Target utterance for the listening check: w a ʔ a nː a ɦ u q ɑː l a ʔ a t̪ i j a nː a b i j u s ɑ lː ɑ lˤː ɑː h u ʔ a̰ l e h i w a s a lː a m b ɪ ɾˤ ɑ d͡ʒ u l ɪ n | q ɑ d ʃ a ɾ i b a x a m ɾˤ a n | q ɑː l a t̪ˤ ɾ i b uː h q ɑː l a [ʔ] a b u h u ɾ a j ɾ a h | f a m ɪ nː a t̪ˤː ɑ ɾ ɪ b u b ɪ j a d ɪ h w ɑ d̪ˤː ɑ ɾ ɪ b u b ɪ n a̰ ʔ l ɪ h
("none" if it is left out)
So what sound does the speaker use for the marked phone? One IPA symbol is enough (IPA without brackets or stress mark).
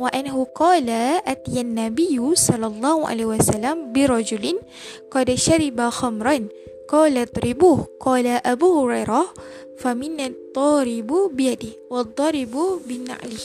ʔ